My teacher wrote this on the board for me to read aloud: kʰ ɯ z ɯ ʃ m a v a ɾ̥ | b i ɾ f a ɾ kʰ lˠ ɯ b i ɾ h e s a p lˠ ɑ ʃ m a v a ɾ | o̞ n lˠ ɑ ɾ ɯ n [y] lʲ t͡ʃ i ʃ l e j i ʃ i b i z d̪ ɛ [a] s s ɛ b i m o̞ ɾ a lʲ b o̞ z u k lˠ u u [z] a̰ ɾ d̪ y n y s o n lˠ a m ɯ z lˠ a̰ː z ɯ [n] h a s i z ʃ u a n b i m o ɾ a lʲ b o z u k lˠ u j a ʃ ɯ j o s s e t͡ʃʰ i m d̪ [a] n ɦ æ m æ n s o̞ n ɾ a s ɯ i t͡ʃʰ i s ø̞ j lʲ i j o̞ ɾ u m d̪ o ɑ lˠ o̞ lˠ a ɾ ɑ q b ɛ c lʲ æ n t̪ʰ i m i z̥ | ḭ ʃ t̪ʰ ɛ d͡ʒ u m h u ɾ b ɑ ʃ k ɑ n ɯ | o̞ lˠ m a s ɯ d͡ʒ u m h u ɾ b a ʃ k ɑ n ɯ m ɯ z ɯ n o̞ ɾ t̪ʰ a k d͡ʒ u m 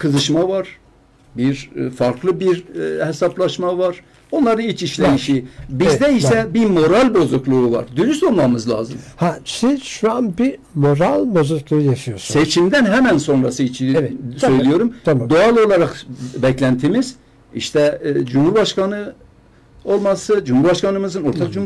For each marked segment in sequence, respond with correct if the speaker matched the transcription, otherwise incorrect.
incorrect: i, incorrect: i, incorrect: v, incorrect: m, incorrect: æ

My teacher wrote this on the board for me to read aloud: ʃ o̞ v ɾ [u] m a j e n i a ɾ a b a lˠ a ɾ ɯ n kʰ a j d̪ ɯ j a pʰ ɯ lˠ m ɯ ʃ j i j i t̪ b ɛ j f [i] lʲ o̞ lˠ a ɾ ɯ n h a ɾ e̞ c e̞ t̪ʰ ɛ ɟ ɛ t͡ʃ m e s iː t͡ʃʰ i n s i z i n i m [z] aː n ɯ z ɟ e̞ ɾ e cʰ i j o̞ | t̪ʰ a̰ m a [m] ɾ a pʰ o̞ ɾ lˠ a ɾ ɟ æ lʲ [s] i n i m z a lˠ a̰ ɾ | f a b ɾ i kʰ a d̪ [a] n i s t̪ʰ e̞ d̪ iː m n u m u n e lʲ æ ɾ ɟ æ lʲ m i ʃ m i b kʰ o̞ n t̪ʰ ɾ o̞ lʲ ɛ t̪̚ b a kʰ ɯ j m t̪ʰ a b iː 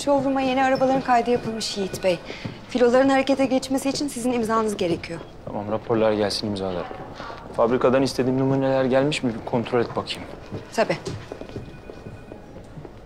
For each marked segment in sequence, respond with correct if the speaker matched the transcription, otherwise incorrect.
correct, correct, correct, correct, correct, correct

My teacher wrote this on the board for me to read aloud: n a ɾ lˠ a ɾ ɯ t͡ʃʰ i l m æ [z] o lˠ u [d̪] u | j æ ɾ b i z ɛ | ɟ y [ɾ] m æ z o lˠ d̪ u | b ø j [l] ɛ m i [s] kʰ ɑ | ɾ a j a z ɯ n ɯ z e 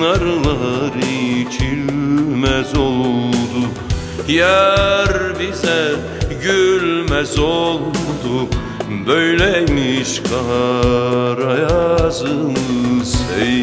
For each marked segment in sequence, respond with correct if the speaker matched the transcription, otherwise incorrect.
correct, correct, incorrect: l, correct, incorrect: ʃ

